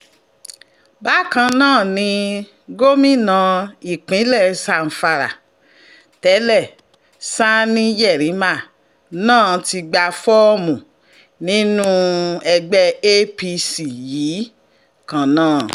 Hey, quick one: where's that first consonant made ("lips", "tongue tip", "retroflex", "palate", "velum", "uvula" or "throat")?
lips